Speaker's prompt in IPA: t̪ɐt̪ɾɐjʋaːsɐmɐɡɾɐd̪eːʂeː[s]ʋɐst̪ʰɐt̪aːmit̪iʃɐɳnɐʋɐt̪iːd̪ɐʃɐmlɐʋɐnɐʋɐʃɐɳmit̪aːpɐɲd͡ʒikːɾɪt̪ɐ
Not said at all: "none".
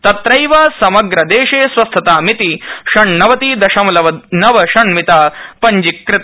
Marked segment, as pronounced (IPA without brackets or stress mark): s